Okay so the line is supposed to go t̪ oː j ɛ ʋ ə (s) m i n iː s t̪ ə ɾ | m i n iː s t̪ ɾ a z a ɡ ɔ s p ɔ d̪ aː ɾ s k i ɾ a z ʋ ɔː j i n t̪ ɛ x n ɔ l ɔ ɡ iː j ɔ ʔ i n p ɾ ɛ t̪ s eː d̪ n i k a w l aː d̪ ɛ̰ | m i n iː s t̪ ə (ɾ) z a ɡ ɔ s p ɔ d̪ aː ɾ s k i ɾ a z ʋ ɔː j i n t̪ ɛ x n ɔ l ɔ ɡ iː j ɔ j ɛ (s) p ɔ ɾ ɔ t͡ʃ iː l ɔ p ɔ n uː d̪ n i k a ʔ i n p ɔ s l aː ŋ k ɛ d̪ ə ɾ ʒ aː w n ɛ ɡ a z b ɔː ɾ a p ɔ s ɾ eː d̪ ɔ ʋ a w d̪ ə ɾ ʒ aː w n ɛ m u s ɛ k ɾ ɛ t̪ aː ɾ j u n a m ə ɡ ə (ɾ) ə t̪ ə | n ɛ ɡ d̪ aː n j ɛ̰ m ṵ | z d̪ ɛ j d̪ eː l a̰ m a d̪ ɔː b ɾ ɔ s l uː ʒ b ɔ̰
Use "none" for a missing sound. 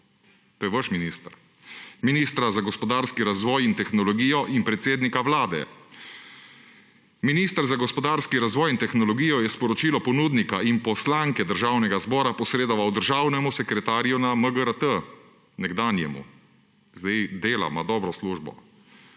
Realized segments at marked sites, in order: ʃ, ɾ, s, ɾ

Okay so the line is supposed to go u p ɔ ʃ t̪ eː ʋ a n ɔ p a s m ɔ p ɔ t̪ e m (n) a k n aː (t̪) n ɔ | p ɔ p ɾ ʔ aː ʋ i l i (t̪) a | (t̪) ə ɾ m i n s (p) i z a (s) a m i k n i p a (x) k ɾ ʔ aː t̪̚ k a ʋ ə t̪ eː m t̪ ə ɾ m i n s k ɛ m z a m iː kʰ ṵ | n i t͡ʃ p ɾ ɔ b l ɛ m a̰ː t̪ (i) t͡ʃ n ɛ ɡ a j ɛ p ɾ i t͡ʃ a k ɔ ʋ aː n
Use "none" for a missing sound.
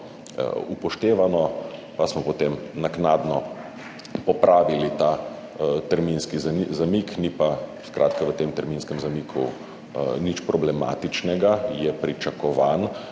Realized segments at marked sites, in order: n, d̪, t̪, t̪, k, z, s, i

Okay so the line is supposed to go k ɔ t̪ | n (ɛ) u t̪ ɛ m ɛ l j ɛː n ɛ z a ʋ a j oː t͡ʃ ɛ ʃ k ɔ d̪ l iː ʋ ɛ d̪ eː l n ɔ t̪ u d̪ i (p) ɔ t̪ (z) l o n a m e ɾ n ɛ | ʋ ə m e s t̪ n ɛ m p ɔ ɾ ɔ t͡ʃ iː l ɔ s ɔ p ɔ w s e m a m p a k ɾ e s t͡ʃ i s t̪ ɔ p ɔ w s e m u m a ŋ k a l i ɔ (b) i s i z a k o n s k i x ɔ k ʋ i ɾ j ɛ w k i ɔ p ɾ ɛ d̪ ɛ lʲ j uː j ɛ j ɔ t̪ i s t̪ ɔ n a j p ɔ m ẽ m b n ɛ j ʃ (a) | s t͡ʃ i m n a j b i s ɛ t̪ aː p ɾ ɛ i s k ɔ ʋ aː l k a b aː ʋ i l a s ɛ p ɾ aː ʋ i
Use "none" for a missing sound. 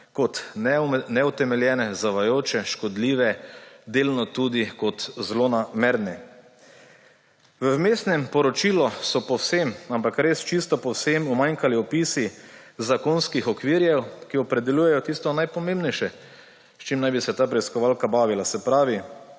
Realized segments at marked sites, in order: ɛ, k, z, p, ɛ

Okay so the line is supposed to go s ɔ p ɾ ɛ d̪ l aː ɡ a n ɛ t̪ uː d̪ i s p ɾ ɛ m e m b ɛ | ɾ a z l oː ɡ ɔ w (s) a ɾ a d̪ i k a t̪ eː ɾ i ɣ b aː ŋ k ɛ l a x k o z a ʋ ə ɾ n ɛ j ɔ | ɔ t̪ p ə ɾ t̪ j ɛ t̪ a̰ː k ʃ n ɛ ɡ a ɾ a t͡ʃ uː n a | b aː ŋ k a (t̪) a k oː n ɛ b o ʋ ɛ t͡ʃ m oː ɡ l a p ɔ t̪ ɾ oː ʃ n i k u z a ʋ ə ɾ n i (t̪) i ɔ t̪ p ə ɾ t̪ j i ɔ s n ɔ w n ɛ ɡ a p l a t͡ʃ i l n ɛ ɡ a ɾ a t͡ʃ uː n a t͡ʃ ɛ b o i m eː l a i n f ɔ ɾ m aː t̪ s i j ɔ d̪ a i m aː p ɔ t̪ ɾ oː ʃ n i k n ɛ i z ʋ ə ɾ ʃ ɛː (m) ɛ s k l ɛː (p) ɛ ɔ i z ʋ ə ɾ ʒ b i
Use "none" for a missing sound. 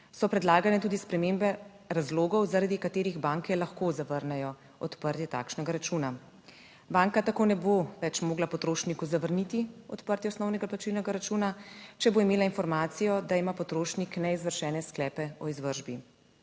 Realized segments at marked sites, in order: z, t̪, t̪, n, p

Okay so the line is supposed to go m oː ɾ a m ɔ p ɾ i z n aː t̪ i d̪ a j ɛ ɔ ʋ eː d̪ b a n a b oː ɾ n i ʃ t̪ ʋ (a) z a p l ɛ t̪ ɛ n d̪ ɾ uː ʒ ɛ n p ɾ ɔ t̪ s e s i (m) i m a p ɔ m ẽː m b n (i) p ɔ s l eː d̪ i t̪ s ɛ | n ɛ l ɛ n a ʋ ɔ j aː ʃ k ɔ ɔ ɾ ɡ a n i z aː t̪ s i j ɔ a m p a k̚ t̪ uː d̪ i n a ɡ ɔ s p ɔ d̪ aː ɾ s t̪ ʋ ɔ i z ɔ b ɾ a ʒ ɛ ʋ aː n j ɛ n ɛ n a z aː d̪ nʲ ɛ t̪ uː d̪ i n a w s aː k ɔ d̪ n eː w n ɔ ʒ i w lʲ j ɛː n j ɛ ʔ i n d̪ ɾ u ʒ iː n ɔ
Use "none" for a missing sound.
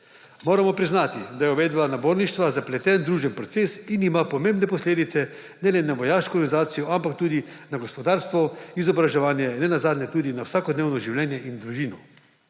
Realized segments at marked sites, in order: a, n, ɛ

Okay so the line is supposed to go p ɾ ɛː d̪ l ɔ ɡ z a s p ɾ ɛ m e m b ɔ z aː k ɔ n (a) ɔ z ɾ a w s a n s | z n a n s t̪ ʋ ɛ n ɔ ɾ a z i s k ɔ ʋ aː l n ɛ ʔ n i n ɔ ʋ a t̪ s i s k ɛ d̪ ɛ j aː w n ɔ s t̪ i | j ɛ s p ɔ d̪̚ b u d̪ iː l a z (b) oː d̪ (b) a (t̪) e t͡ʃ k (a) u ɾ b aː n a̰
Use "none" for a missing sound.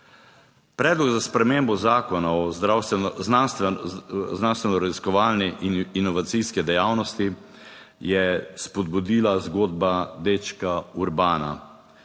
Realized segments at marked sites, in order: a, ɡ, b, d̪, a

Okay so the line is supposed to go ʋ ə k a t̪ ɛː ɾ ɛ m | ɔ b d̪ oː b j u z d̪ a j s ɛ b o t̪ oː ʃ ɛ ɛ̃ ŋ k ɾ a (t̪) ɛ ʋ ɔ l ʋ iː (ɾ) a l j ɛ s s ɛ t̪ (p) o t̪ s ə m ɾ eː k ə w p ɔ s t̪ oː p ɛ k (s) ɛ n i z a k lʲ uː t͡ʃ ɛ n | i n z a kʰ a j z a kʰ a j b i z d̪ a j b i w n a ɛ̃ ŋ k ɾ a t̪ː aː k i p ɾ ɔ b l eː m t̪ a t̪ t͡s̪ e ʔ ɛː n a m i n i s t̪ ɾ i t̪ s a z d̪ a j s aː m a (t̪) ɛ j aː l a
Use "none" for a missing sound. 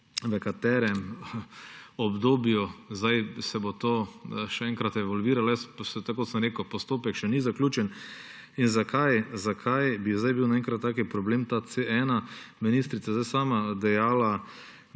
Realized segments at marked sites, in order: t̪, ɾ, k, ʃ, d̪

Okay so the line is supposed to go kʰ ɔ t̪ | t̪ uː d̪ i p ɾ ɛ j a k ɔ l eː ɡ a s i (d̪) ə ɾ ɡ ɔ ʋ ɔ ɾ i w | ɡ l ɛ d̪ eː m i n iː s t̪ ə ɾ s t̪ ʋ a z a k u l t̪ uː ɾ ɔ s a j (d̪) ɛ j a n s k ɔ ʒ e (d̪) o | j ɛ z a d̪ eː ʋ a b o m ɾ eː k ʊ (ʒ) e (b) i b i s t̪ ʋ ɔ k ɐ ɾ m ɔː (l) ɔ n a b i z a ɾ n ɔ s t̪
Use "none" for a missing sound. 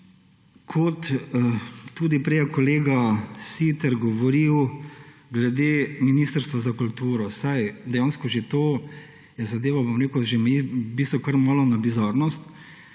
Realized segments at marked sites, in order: t̪, d̪, t̪, ʒ, m, l

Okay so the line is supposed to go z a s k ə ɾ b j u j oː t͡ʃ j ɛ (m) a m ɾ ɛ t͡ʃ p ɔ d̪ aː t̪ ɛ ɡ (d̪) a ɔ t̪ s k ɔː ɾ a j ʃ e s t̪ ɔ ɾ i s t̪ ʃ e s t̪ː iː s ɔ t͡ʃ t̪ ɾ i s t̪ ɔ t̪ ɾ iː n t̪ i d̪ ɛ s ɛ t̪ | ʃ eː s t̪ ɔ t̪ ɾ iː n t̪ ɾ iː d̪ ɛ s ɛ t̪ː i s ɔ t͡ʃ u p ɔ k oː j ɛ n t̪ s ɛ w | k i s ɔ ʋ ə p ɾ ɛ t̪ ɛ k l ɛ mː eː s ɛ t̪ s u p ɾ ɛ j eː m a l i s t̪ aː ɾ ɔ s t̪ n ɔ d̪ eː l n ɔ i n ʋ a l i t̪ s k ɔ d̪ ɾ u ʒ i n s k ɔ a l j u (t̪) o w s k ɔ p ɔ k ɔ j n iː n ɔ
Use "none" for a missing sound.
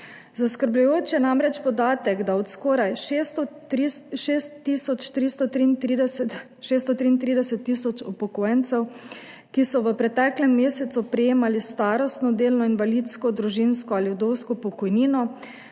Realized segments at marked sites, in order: n, d̪, d̪

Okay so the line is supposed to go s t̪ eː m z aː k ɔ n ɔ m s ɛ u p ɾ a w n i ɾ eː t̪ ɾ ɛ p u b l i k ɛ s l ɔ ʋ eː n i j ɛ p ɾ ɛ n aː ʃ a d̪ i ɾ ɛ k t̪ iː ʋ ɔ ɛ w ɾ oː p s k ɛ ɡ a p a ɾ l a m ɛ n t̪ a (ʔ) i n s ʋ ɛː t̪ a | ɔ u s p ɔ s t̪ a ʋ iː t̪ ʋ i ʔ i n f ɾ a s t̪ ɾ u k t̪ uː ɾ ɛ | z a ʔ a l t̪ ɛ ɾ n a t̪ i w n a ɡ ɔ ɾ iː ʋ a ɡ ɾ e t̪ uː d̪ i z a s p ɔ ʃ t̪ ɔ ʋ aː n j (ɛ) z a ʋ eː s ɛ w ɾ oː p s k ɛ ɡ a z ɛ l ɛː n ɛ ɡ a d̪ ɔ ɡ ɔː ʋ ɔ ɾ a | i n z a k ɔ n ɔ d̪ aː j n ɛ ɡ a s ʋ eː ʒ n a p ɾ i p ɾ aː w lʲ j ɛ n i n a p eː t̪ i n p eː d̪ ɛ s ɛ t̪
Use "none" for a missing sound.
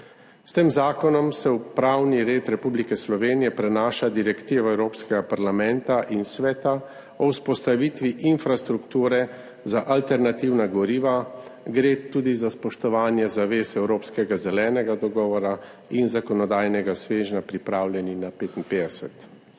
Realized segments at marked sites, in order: ʔ, ɛ

